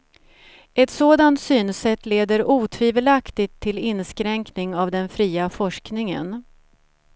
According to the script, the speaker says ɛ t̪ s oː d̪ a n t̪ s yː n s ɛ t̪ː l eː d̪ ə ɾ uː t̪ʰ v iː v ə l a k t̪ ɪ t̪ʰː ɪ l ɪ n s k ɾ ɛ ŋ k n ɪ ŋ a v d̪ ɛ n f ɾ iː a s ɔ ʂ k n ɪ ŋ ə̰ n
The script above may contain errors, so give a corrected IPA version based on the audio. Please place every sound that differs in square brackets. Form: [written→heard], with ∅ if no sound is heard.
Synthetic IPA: ɛ t̪ s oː d̪ a n t̪ s yː n s ɛ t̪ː l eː d̪ ə ɾ uː t̪ʰ v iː v ə l a k t̪ ɪ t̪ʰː ɪ l ɪ n s k ɾ ɛ ŋ k n ɪ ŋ a v d̪ ɛ n f ɾ iː a [s→f] ɔ ʂ k n ɪ ŋ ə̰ n